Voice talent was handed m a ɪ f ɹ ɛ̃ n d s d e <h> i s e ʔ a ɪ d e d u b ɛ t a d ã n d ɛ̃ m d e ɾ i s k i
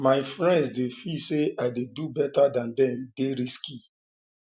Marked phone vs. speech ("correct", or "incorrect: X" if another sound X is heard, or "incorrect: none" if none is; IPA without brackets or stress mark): incorrect: f